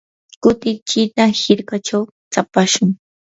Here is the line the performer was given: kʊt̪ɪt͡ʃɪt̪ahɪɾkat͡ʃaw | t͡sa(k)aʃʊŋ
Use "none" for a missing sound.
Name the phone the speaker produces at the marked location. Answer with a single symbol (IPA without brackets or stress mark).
p